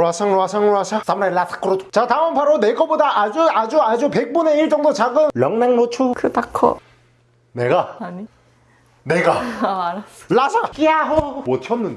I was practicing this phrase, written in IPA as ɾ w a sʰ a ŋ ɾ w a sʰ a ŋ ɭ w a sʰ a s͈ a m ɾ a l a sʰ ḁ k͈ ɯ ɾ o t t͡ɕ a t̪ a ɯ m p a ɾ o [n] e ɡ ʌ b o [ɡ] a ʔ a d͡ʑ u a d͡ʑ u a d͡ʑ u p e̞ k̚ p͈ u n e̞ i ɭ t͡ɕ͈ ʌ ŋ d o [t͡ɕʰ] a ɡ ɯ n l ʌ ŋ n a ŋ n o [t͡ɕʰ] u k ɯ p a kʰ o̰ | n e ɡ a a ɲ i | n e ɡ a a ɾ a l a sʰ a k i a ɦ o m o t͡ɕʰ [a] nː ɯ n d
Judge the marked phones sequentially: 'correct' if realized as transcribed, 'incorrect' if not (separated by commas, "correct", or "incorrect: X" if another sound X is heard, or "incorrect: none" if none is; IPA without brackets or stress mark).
correct, incorrect: d, incorrect: t͡ɕ, correct, incorrect: ʌ